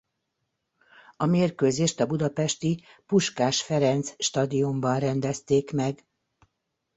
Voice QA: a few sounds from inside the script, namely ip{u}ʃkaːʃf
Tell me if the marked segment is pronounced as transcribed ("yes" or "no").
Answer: yes